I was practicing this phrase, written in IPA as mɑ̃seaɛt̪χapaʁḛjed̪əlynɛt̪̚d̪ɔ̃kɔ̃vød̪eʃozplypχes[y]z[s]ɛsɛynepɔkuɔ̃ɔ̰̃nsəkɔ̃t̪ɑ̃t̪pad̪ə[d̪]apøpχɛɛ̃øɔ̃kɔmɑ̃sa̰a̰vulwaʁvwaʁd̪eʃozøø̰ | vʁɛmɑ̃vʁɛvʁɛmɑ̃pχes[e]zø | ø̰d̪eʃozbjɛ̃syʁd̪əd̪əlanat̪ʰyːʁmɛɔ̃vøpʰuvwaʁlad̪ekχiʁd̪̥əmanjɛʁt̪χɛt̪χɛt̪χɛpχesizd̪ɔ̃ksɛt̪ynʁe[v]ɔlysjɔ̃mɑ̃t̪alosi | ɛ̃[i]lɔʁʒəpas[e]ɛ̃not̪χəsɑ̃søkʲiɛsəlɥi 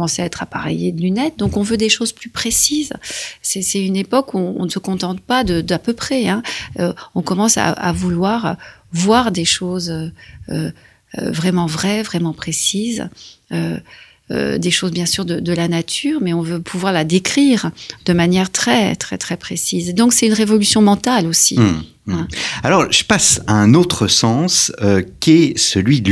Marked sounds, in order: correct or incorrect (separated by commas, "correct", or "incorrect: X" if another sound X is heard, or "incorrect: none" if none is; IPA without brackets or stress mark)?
incorrect: i, correct, correct, incorrect: i, correct, incorrect: a, incorrect: a